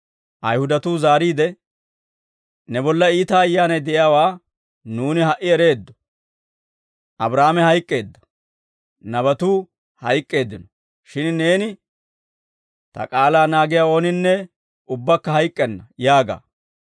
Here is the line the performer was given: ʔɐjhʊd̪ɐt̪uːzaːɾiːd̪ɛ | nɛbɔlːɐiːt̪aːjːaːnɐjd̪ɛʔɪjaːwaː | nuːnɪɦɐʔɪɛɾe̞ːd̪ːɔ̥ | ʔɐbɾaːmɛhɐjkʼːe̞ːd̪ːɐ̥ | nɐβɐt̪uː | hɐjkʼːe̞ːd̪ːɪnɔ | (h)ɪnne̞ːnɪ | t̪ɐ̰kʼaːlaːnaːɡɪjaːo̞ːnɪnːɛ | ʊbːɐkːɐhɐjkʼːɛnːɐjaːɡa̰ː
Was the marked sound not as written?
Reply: yes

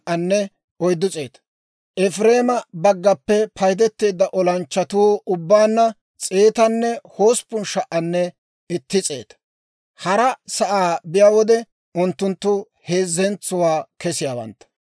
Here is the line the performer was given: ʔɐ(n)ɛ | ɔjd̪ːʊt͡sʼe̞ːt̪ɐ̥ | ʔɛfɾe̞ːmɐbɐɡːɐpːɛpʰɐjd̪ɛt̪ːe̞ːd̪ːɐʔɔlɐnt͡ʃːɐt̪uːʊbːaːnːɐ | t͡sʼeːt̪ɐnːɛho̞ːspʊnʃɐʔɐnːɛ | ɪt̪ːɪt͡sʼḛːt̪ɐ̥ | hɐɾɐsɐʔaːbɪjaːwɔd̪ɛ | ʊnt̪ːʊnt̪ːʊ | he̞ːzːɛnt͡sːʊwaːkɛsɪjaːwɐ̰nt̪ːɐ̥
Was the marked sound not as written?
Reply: yes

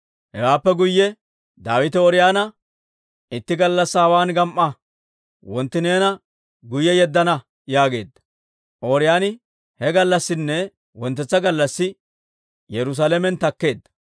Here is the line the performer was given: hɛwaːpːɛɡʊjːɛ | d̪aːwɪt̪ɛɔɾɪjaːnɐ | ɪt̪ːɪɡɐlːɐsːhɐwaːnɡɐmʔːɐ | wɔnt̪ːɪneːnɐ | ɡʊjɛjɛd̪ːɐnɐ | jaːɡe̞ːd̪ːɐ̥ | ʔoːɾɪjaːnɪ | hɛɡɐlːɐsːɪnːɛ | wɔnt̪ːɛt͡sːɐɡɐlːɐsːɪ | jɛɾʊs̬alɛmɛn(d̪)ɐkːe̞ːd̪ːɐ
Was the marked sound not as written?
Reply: yes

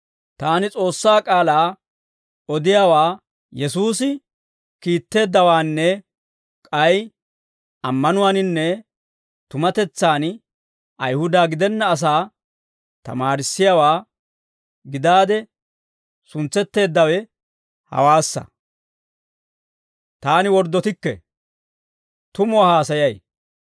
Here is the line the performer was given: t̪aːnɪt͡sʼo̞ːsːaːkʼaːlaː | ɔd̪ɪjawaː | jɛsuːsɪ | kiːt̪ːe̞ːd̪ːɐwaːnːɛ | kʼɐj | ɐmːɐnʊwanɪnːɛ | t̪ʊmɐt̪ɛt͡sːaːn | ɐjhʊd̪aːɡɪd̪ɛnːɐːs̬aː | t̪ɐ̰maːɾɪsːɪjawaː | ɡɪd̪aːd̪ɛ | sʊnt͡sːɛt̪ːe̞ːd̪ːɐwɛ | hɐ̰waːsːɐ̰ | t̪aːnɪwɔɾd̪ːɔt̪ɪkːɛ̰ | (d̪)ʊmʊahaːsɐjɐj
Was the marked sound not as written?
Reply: yes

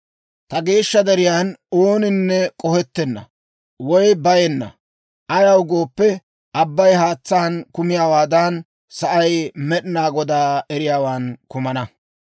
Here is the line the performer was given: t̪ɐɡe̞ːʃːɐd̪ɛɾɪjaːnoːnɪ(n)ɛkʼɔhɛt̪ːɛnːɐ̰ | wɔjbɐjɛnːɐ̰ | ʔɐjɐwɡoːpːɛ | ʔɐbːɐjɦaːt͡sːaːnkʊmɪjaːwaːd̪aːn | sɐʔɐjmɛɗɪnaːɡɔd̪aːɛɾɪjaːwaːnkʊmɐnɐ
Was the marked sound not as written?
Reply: yes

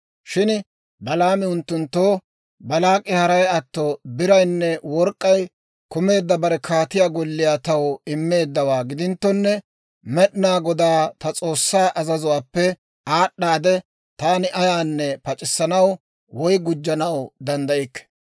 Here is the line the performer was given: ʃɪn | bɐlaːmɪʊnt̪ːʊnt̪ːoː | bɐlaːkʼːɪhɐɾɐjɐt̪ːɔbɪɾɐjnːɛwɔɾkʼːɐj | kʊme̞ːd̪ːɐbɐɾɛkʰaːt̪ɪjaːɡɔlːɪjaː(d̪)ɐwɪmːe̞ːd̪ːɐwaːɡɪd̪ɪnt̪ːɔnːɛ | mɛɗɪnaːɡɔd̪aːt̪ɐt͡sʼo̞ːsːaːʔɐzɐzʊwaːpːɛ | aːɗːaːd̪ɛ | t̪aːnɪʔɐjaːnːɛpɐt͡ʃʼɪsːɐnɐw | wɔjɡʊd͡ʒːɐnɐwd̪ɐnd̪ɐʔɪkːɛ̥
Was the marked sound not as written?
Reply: yes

